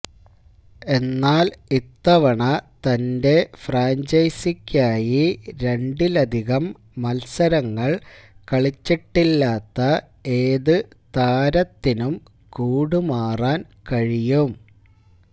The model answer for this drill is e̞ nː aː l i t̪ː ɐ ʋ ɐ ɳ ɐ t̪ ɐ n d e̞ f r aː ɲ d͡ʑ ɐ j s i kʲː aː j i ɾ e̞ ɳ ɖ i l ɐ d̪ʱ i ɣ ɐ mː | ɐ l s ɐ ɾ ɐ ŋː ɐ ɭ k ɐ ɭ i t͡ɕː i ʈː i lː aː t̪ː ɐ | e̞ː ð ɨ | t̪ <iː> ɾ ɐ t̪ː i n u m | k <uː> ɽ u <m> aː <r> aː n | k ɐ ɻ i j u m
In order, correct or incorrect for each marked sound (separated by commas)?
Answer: incorrect, correct, correct, correct